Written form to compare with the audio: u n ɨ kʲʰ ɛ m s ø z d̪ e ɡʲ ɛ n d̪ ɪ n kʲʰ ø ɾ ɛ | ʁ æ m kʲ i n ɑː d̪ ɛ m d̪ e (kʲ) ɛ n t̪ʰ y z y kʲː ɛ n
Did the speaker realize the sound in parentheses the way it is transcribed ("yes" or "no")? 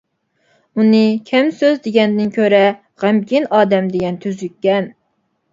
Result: no